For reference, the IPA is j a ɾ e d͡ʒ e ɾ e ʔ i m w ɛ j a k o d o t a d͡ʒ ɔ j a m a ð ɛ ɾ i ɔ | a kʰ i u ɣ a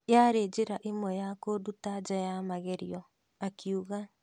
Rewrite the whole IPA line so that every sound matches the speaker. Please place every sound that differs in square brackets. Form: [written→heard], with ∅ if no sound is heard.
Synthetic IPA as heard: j a ɾ e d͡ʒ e ɾ [e→a] ʔ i m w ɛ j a k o d [o→u] t a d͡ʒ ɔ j a m a [ð→ɣ] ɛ ɾ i ɔ | a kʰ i u ɣ a